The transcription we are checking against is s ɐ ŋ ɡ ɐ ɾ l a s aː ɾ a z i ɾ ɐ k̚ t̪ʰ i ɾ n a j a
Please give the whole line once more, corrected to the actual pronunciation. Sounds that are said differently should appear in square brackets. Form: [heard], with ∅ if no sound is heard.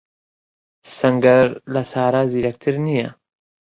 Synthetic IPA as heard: s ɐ ŋ ɡ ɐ ɾ l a s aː ɾ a z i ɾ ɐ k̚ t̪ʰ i ɾ n [i] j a